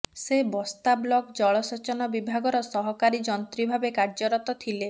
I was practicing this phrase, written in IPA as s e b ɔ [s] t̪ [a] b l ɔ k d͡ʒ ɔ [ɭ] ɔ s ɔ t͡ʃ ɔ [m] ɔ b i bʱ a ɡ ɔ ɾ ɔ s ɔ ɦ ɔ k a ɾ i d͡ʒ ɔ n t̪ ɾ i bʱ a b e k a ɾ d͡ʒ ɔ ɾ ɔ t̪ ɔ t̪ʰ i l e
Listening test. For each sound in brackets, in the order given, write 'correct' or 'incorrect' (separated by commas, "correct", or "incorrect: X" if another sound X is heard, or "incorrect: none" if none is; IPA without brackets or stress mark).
correct, correct, correct, incorrect: n